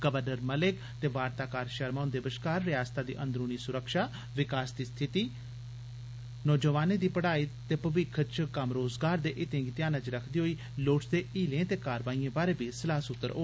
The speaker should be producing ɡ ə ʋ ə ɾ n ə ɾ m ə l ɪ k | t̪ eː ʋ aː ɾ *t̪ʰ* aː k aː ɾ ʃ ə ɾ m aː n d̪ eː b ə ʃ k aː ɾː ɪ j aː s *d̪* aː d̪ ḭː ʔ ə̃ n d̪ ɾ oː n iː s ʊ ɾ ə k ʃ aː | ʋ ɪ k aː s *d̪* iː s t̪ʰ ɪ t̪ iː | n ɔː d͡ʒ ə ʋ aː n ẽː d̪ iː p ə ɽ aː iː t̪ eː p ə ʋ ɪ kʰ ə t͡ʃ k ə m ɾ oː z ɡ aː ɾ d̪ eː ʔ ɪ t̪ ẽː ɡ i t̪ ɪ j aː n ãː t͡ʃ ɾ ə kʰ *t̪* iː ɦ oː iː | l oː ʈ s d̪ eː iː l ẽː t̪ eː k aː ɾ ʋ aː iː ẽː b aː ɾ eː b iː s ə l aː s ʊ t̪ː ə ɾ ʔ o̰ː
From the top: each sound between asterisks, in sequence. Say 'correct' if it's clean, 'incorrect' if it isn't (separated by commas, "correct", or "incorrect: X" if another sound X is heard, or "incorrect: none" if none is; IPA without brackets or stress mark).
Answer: incorrect: t̪, incorrect: t̪, correct, incorrect: d̪